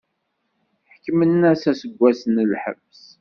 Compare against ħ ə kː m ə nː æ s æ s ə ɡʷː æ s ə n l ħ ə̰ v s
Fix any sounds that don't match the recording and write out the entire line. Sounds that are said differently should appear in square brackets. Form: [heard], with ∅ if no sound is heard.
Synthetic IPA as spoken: ħ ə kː m ə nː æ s æ s ə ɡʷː æ s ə n l ħ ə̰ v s